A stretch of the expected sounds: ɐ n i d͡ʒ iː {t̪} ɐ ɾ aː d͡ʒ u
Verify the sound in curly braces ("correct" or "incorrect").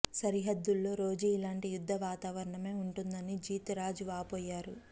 correct